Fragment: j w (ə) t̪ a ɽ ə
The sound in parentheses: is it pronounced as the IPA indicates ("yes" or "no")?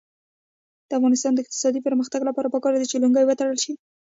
yes